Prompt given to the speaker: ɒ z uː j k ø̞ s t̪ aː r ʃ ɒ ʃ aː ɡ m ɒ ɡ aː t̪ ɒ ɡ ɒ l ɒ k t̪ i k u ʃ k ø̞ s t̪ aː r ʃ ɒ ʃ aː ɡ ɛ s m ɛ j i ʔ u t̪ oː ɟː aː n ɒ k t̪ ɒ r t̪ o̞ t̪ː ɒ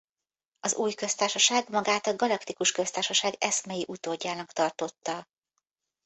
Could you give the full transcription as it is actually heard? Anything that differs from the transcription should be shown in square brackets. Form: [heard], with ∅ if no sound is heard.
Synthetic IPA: ɒ z uː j k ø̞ s t̪ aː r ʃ ɒ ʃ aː ɡ m ɒ ɡ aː t̪ ɒ ɡ ɒ l ɒ k t̪ i k u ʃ k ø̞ s t̪ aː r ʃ ɒ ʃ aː ɡ ɛ s m ɛ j i ʔ u t̪ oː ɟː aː n ɒ k t̪ ɒ r t̪ o̞ t̪ː ɒ